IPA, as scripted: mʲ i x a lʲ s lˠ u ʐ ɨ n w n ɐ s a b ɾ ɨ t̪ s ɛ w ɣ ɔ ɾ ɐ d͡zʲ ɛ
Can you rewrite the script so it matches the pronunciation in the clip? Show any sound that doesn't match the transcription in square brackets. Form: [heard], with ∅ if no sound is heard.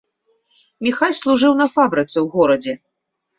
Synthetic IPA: mʲ i x a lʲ s lˠ u ʐ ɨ [∅] w n ɐ [f] a b ɾ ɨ t̪ s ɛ w ɣ ɔ ɾ ɐ d͡zʲ ɛ